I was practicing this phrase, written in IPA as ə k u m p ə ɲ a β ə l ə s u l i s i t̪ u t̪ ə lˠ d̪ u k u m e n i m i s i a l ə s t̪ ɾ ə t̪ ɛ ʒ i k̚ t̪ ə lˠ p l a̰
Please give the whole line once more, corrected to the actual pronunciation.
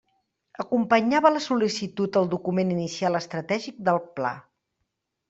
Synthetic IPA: ə k u m p ə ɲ a β ə l ə s u l i s i t̪ u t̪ ə lˠ d̪ u k u m e n i n i s i a l ə s t̪ ɾ ə t̪ ɛ ʒ i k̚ d̪ ə lˠ p l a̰